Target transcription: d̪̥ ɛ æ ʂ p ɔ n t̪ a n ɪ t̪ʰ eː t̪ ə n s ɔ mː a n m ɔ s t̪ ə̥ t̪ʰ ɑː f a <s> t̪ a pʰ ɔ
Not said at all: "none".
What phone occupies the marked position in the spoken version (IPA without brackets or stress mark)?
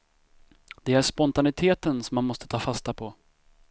s